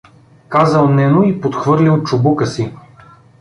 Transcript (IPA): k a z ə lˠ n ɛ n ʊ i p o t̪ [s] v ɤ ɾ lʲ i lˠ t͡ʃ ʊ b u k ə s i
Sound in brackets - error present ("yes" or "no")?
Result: yes